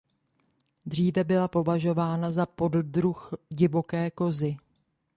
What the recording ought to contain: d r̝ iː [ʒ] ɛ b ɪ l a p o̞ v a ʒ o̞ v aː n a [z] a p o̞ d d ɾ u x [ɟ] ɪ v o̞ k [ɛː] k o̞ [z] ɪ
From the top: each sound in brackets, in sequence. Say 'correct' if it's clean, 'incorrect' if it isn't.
incorrect, correct, correct, correct, correct

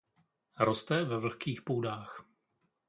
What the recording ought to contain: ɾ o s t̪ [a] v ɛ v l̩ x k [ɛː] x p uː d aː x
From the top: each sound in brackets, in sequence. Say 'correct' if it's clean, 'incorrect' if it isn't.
incorrect, incorrect

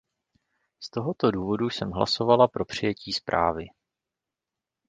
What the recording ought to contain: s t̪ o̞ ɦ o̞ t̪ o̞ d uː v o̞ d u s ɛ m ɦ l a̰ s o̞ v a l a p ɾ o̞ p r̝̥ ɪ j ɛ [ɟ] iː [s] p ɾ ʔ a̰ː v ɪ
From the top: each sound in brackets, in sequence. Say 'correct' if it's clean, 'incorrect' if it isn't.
incorrect, correct

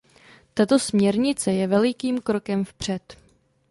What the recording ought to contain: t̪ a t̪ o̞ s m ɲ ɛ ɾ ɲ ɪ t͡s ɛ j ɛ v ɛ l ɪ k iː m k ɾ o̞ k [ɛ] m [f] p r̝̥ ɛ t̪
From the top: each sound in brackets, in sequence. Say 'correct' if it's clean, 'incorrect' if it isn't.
correct, correct

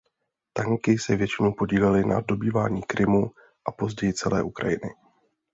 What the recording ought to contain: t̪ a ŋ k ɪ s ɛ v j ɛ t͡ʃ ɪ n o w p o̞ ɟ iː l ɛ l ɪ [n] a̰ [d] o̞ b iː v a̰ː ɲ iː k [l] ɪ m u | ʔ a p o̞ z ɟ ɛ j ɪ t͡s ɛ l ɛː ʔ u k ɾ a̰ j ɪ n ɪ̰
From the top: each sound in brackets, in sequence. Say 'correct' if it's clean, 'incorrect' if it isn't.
correct, correct, incorrect

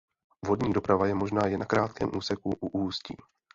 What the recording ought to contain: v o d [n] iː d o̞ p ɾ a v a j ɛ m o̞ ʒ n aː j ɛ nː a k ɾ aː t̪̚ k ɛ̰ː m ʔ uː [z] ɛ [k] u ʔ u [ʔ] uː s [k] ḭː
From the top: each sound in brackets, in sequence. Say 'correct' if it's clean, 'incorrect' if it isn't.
incorrect, incorrect, correct, correct, incorrect

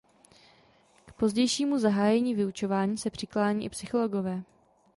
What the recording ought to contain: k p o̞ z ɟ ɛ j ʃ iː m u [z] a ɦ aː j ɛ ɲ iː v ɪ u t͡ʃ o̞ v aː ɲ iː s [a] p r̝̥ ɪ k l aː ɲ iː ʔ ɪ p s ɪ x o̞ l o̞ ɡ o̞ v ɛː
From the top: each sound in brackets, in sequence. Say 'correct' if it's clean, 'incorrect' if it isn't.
correct, incorrect

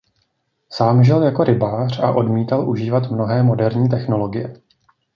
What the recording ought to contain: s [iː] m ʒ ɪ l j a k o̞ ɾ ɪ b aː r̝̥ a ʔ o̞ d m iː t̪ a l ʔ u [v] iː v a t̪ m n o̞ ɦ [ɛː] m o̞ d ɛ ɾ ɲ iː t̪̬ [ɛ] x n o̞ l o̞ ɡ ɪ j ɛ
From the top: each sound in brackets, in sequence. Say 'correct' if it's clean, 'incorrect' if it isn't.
incorrect, incorrect, correct, correct

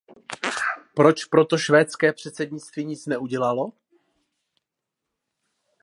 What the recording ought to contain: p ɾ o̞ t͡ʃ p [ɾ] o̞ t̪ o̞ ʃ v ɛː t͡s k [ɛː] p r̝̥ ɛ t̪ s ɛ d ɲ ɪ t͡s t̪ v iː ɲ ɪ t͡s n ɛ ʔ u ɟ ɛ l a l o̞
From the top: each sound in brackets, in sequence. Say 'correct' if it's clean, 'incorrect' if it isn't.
correct, correct

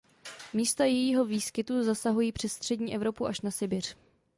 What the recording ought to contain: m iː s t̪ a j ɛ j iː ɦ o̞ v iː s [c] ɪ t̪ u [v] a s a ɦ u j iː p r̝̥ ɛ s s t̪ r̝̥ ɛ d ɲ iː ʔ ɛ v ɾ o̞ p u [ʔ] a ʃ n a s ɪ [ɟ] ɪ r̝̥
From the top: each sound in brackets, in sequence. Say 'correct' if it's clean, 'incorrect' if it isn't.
incorrect, incorrect, correct, incorrect

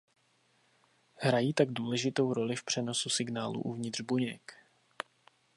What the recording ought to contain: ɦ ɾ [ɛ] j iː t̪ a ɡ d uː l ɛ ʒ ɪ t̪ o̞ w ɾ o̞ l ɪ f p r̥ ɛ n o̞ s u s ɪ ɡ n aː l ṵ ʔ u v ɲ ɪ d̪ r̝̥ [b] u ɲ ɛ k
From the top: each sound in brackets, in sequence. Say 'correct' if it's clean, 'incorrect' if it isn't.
incorrect, correct

